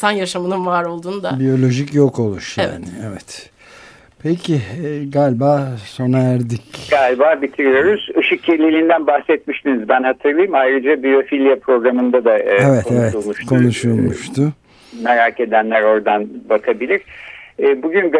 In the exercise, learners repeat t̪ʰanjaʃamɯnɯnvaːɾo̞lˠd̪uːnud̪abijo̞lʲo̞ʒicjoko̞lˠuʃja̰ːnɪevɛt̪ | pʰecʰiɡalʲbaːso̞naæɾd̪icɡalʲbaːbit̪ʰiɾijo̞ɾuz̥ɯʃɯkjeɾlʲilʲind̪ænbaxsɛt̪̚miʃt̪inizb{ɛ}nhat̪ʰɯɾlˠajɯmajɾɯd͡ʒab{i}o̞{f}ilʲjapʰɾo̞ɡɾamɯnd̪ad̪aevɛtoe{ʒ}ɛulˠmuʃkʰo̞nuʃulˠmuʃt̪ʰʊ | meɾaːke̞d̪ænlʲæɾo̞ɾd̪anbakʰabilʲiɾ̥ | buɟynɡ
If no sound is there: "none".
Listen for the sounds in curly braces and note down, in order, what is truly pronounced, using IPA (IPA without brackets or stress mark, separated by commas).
æ, i, f, v